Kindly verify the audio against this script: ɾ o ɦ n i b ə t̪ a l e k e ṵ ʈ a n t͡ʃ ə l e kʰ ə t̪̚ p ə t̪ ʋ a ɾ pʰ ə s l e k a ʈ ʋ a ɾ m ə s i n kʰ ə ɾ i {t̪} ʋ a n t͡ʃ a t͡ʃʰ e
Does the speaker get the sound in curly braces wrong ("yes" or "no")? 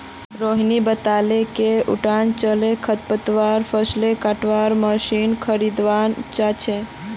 yes